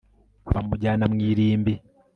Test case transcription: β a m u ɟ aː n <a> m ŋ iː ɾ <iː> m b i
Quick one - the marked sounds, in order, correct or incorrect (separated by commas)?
correct, correct